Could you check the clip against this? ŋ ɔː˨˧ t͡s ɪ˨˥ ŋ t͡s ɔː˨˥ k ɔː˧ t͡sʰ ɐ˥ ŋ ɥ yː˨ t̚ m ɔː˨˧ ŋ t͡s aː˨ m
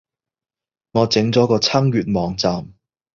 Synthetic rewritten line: ŋ ɔː˨˧ t͡s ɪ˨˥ ŋ t͡s ɔː˨˥ k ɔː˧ t͡sʰ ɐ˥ ŋ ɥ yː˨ t̚ m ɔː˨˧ ŋ t͡s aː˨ m